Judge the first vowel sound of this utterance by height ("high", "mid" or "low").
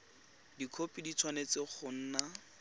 high